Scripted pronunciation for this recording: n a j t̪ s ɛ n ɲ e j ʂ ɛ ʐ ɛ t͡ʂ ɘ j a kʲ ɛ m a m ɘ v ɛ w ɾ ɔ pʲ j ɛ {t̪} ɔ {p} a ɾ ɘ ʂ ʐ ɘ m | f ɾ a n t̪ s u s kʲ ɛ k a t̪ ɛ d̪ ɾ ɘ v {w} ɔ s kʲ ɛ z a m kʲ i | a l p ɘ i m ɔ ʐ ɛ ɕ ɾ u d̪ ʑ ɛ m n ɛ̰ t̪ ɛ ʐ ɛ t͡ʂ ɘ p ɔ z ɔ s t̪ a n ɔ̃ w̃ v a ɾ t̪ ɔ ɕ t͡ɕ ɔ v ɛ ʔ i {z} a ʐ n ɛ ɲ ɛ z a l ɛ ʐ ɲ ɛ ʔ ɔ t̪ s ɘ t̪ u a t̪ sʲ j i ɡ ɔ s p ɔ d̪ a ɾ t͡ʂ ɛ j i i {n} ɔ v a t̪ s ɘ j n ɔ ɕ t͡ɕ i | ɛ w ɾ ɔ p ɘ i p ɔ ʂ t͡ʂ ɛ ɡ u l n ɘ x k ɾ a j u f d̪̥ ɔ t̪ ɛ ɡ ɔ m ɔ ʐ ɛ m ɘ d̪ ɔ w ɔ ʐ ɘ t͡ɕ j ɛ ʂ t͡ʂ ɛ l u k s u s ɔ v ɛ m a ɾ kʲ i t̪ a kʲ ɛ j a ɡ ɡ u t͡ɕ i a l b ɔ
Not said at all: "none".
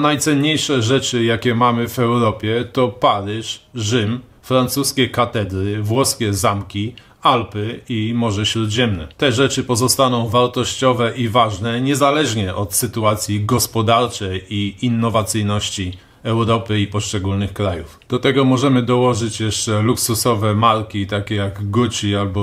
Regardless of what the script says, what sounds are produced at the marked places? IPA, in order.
t̪, p, w, v, nː

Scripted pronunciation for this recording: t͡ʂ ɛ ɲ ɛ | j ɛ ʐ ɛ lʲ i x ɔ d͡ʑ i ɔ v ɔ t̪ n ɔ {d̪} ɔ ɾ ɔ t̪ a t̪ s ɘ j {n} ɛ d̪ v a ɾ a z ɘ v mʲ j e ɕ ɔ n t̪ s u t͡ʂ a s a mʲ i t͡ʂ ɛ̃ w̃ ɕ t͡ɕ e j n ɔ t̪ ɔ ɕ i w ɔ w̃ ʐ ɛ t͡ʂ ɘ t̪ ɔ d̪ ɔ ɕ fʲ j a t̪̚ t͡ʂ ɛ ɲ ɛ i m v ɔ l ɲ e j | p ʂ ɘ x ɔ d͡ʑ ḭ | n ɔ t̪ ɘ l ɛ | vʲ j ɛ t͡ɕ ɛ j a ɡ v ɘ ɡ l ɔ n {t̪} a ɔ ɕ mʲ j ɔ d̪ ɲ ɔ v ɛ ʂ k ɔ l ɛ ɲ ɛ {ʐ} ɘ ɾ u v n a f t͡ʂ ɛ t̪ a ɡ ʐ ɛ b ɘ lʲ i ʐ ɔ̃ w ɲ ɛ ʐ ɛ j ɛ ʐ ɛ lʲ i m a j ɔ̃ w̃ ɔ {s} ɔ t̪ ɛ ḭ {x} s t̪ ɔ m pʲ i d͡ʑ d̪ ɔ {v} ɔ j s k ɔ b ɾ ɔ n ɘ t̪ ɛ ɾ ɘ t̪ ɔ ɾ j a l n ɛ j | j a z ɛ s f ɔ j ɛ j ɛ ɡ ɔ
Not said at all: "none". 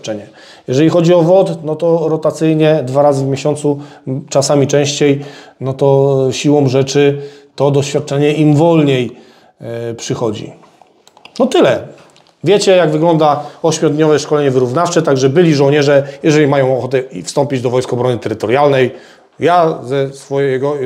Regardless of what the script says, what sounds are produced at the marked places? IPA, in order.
t̪, ɲ, d̪, v, x, f, v

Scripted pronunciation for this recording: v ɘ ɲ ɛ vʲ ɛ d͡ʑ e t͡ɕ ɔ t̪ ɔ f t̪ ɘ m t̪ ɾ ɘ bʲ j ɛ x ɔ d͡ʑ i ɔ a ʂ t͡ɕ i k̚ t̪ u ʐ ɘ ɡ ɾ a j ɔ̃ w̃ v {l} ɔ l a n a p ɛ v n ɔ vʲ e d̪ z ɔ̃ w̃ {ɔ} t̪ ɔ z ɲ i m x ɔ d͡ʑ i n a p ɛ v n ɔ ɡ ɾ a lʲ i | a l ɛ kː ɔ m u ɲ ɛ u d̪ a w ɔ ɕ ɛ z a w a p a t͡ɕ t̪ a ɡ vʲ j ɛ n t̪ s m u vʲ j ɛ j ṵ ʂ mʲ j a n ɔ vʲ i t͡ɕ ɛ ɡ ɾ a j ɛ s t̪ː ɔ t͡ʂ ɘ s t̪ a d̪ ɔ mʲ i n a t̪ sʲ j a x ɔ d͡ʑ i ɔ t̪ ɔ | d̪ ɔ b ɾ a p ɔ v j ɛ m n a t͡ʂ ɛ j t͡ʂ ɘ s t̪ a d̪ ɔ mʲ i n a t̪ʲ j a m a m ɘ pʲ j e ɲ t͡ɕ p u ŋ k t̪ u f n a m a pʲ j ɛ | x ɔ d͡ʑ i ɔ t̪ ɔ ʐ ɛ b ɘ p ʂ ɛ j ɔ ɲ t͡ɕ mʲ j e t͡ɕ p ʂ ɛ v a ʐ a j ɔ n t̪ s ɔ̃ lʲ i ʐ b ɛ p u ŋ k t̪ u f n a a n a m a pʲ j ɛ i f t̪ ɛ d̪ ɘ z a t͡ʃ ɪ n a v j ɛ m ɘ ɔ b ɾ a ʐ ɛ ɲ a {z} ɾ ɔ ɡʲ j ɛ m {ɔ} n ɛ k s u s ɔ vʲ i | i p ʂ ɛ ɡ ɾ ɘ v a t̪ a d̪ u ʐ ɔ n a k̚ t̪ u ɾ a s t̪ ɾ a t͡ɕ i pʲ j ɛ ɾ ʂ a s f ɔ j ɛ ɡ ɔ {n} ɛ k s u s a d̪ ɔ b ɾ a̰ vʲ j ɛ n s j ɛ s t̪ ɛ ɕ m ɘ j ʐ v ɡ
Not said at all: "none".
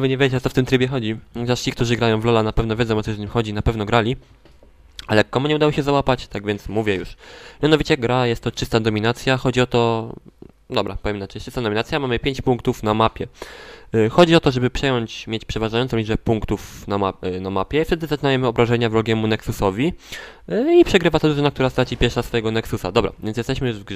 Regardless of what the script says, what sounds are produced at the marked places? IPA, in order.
l, ɔ, v, u, n

